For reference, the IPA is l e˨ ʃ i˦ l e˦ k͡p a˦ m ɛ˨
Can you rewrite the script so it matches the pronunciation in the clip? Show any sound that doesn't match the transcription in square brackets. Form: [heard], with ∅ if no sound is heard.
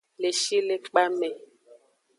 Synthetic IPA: l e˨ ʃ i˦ l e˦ k͡p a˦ m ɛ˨